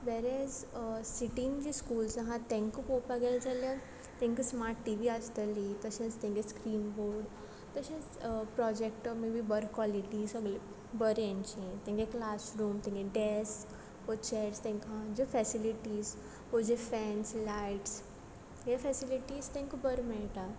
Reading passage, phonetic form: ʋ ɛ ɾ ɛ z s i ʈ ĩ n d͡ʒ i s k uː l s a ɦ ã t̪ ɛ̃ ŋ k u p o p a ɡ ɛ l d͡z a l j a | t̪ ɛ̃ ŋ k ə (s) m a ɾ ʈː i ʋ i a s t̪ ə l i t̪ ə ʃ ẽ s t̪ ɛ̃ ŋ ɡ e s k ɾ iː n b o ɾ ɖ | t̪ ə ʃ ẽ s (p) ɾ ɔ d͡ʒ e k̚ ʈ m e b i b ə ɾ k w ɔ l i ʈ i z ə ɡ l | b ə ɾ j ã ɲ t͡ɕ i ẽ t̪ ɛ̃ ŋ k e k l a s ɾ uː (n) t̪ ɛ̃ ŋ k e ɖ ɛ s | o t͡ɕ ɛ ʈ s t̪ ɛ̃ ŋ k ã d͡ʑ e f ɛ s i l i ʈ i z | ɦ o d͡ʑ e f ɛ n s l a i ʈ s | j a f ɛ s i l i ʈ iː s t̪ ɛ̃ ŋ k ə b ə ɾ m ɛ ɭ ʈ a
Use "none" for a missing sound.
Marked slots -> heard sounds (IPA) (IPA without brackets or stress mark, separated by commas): s, p, m